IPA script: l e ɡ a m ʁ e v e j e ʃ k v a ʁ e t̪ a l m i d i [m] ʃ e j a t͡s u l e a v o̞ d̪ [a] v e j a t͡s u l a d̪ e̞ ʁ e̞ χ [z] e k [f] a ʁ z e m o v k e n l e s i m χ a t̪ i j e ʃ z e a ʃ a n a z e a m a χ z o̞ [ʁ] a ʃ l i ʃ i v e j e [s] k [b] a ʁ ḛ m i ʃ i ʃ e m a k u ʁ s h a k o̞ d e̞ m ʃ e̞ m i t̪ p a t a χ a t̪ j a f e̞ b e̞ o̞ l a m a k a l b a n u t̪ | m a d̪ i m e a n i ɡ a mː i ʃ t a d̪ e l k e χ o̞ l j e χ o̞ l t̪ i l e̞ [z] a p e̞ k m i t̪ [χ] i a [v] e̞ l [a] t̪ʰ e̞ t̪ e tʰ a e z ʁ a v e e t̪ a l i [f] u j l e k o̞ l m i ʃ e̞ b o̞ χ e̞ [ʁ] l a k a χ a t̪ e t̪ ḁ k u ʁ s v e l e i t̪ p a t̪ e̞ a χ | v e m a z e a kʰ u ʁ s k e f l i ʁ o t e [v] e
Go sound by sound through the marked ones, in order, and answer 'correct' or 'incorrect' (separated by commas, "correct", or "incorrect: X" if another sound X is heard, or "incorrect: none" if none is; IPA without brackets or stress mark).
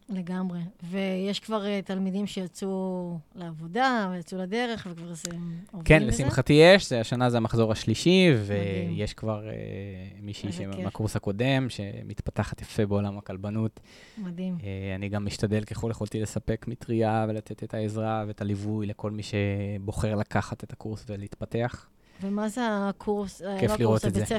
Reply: correct, correct, incorrect: v, incorrect: v, correct, incorrect: ʃ, incorrect: v, incorrect: s, incorrect: ʁ, correct, correct, incorrect: v, correct, incorrect: z